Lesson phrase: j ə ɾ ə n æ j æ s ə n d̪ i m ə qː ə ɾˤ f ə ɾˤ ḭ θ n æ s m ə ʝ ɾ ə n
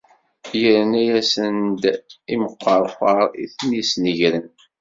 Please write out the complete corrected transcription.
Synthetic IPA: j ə ɾ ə n æ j æ s ə n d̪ i m ə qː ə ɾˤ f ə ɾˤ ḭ θ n i s n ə ʝ ɾ ə n